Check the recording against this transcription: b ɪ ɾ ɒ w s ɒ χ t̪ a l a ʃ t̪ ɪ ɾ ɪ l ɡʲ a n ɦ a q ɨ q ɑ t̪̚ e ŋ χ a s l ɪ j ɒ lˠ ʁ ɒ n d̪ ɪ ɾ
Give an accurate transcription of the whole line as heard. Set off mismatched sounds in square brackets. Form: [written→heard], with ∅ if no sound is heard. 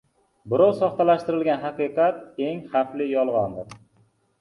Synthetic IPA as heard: b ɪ ɾ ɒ w s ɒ χ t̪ a l a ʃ t̪ ɪ ɾ ɪ l ɡʲ a n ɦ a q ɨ q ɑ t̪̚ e ŋ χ a [s→f] l ɪ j ɒ lˠ ʁ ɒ n d̪ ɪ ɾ